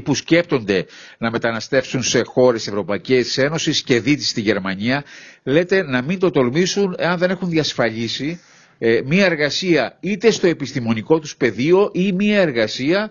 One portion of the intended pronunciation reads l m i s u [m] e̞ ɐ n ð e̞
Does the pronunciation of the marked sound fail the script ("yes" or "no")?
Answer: yes